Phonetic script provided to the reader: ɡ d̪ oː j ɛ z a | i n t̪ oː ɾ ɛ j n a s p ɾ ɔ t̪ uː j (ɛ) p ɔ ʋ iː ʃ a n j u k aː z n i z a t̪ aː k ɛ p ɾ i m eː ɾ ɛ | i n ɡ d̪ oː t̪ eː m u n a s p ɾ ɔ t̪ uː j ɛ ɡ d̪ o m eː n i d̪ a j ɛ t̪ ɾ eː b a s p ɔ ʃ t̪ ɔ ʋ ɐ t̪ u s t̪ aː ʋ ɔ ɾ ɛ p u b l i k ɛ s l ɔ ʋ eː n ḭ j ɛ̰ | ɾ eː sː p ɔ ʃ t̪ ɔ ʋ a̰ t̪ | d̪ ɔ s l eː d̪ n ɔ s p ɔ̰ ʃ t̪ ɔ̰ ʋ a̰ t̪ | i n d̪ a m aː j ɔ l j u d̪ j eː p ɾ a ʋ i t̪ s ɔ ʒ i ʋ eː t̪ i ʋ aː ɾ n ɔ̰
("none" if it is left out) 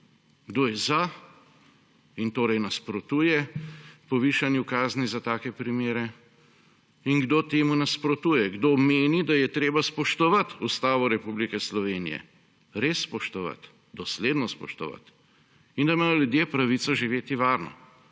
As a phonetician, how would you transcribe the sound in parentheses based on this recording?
ɛ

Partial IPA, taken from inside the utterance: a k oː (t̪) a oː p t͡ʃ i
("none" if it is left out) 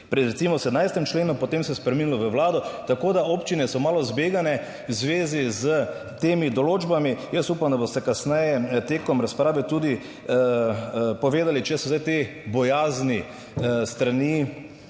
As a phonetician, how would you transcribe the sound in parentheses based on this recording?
d̪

